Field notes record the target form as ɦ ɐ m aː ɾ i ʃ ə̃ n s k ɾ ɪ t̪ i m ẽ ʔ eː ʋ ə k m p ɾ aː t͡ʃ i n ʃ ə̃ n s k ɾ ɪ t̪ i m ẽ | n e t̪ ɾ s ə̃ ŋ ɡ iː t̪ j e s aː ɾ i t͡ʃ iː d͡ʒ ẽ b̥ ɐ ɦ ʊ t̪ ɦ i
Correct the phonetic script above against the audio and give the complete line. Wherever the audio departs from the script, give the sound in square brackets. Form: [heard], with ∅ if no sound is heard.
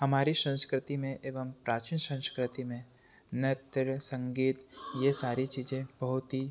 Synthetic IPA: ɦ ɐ m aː ɾ i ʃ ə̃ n s k ɾ ɪ t̪ i m ẽ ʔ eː ʋ ə [∅] m p ɾ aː t͡ʃ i n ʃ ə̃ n s k ɾ ɪ t̪ i m ẽ | n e t̪ ɾ s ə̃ ŋ ɡ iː t̪ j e s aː ɾ i t͡ʃ iː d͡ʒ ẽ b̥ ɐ ɦ ʊ t̪ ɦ i

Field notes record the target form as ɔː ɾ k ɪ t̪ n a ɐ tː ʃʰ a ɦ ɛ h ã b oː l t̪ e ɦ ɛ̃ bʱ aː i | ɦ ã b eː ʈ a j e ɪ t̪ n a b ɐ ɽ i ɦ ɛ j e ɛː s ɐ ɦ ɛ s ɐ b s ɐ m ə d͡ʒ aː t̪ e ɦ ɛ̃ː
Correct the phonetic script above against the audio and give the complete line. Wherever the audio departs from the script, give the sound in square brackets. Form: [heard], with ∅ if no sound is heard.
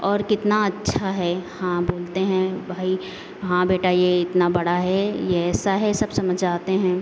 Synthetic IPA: ɔː ɾ k ɪ t̪ n a ɐ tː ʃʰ a ɦ ɛ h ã b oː l t̪ e ɦ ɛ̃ bʱ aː i | ɦ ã b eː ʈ a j e ɪ t̪ n a b ɐ ɽ [a] ɦ ɛ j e ɛː s [a] ɦ ɛ s ɐ b s ɐ m ə d͡ʒ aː t̪ e ɦ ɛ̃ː

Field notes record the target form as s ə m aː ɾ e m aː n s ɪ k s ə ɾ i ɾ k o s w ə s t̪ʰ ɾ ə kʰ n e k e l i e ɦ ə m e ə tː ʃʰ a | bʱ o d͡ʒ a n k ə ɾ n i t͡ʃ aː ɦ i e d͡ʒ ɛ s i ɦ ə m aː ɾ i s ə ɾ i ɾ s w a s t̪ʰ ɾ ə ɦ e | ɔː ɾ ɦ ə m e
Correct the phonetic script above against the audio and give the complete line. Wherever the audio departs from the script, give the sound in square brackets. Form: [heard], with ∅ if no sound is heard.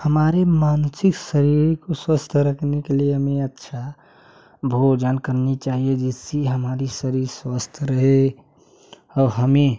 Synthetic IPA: [h] ə m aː ɾ e m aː n s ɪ k s ə ɾ i ɾ k o s w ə s t̪ʰ ɾ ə kʰ n e k e l i e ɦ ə m e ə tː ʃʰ a | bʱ o d͡ʒ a n k ə ɾ n i t͡ʃ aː ɦ i e d͡ʒ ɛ s i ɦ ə m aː ɾ i s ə ɾ i ɾ s w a s t̪ʰ ɾ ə ɦ e | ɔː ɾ ɦ ə m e

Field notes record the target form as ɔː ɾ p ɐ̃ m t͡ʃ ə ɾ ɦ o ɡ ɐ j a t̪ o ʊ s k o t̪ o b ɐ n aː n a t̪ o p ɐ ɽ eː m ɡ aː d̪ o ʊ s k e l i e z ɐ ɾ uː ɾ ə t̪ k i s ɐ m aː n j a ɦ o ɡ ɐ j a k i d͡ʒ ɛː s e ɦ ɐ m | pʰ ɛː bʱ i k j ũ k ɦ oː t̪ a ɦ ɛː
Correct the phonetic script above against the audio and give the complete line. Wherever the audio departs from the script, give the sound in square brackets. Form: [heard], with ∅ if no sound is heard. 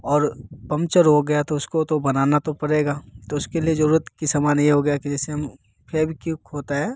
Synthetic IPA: ɔː ɾ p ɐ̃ m t͡ʃ ə ɾ ɦ o ɡ ɐ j a t̪ o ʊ s k o t̪ o b ɐ n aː n a t̪ o p ɐ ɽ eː [∅] ɡ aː [t̪] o ʊ s k e l i e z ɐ ɾ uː ɾ ə t̪ k i s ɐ m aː n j [e] ɦ o ɡ ɐ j a k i d͡ʒ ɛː s e ɦ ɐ m | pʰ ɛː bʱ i k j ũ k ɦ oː t̪ a ɦ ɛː

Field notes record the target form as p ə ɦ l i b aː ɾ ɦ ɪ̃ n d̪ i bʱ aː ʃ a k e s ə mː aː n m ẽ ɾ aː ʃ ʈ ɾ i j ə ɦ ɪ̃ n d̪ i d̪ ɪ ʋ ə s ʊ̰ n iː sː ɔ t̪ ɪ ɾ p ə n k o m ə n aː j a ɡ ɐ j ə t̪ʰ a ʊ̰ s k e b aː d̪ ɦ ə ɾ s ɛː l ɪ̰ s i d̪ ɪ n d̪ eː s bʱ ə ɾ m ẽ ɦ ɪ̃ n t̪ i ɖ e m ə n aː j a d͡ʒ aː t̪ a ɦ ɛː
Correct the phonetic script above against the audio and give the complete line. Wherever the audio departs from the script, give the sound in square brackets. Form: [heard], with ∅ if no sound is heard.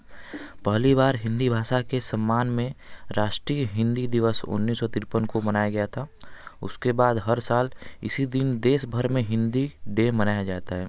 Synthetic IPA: p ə ɦ l i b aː ɾ ɦ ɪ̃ n d̪ i bʱ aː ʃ a k e s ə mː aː n m ẽ ɾ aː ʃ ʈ ɾ i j ə ɦ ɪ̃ n d̪ i d̪ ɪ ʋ ə s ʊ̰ [nː] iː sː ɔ t̪ ɪ ɾ p ə n k o m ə n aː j a ɡ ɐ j [a] t̪ʰ a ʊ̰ s k e b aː d̪ ɦ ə ɾ s [aː] l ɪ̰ s i d̪ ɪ n d̪ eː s bʱ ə ɾ m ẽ ɦ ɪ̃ n [d̪] i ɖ e m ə n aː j a d͡ʒ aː t̪ a ɦ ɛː

